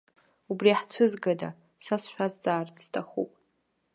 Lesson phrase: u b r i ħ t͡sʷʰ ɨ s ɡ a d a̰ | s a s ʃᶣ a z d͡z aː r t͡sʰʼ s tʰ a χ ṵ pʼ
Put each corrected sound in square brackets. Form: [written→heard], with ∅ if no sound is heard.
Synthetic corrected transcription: u b r i ħ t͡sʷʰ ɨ [s→z] ɡ a d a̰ | s a s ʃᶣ a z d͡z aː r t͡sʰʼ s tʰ a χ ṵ pʼ